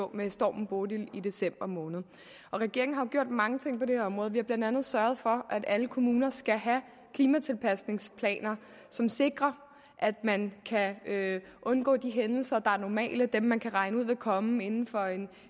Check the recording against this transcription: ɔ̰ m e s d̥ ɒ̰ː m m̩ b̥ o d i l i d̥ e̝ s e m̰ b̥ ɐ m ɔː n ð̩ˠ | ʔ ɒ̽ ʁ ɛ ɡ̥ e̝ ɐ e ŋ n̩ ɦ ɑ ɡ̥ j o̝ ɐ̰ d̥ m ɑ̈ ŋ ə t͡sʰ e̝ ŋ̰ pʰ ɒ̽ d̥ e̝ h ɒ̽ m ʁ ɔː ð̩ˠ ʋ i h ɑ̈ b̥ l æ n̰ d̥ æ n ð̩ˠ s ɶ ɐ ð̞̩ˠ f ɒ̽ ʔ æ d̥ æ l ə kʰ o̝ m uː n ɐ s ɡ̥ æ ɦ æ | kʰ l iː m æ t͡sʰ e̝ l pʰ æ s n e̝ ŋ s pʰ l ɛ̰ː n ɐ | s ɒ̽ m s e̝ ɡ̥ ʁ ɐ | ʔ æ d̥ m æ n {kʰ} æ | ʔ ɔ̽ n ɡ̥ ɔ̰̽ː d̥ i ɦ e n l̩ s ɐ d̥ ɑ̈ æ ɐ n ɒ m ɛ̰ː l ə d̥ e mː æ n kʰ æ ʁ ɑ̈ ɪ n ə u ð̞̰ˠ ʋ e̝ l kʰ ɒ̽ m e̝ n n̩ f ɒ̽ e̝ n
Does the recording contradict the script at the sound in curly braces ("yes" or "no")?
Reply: no